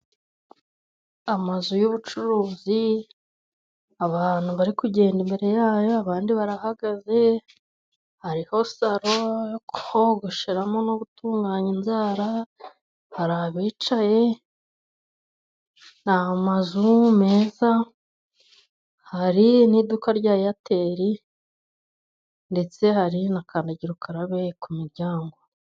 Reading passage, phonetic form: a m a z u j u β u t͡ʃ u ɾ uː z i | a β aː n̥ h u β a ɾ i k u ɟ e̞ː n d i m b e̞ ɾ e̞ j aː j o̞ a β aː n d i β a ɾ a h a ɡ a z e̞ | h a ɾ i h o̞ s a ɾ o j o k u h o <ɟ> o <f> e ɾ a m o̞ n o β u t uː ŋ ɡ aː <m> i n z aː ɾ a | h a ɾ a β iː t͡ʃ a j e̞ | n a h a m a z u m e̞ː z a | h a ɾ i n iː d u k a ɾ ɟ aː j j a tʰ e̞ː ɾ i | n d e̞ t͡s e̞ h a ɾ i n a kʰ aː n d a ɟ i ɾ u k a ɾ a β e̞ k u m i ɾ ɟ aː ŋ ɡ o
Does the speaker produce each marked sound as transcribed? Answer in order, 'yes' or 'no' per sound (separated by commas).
no, no, no